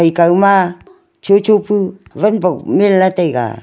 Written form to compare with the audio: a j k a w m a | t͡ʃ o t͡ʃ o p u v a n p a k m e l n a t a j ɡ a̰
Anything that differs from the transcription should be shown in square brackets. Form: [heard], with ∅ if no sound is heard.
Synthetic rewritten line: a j k a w m a | t͡ʃ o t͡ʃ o p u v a n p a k m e l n a t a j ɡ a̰

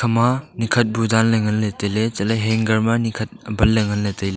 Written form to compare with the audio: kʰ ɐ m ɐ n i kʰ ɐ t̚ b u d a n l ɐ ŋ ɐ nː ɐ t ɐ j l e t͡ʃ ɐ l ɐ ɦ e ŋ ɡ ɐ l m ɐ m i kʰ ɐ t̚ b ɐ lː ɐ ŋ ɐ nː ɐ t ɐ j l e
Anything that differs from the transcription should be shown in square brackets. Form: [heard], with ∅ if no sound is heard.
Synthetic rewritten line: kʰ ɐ m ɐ n i kʰ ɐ t̚ b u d a n l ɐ ŋ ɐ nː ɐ t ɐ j l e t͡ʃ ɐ l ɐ ɦ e ŋ ɡ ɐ [ɾ] m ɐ [n] i kʰ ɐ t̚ b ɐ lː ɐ ŋ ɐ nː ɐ t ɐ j l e

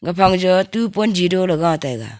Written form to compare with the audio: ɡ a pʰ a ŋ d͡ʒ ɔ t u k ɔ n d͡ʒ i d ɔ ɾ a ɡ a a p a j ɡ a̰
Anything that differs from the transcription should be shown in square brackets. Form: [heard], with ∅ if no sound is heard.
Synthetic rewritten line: ɡ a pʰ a ŋ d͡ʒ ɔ t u [p] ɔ n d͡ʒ i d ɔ [l] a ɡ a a [t] a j ɡ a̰

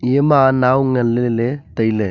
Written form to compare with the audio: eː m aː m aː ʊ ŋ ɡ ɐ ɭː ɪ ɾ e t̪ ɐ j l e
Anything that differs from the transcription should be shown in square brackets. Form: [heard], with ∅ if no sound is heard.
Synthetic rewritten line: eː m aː [n] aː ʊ ŋ ɡ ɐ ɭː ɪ [l] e t̪ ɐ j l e

